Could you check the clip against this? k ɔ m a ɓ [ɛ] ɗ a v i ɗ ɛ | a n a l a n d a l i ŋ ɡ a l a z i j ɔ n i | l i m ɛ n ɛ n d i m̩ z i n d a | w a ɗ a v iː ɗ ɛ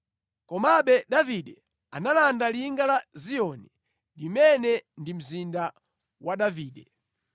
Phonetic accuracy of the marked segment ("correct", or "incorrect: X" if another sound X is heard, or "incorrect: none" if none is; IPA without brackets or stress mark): correct